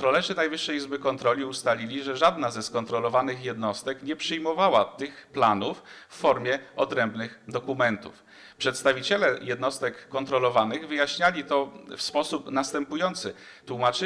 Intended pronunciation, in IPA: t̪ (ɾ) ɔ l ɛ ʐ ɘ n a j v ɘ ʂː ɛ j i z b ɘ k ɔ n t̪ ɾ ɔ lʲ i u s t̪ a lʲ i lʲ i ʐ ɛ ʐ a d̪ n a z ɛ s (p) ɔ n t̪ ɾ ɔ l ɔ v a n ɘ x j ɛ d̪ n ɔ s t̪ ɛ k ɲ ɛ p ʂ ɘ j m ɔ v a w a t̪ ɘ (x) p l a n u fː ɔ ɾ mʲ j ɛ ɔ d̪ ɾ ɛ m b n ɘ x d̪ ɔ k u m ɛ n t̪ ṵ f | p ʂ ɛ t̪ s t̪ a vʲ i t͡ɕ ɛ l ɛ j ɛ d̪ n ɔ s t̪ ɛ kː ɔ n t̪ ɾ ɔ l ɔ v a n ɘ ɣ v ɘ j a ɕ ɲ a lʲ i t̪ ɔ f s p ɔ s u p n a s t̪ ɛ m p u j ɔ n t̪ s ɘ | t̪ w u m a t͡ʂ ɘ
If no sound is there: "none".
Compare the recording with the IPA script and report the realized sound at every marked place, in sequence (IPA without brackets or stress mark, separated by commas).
ɾ, k, x